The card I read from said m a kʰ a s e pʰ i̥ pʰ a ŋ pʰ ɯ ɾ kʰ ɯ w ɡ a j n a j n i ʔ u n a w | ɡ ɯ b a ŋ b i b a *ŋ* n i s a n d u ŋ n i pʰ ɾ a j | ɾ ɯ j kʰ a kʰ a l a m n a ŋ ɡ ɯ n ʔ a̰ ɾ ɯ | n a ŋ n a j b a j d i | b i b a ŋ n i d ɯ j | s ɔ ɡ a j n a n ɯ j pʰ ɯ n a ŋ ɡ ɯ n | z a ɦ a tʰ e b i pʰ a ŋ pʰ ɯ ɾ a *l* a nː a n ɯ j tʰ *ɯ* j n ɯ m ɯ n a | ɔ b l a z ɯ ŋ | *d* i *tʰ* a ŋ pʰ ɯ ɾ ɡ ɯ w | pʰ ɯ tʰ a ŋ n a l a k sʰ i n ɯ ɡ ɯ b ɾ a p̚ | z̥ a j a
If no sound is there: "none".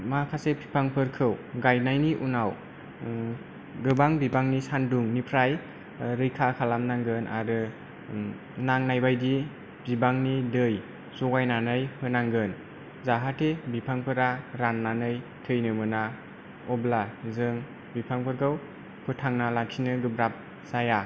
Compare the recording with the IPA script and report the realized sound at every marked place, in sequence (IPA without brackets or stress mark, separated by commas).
ŋ, ɾ, ɯ, b, pʰ